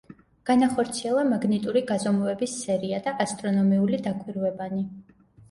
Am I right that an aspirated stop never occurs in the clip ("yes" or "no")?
yes